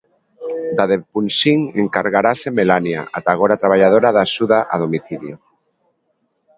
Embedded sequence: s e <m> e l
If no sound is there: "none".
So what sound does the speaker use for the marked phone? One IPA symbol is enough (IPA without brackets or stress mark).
m